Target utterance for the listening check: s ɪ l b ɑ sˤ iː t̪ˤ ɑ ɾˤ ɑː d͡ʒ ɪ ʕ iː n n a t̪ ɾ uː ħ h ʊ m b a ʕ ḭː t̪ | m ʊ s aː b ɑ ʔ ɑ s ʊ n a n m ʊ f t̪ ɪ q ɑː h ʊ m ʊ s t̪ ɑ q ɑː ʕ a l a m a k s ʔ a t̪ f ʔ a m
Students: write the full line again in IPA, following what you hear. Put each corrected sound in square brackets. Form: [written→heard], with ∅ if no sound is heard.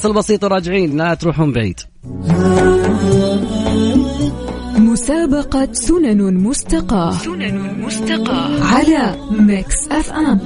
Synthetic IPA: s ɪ l b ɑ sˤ iː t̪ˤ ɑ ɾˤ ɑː d͡ʒ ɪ ʕ iː n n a t̪ ɾ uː ħ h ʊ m b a ʕ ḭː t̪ | m ʊ s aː b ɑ [ʔ→q] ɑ s ʊ n a n m ʊ [f→s] t̪ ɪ q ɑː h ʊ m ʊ s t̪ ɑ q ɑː ʕ a l a m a k s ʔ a [t̪→∅] f ʔ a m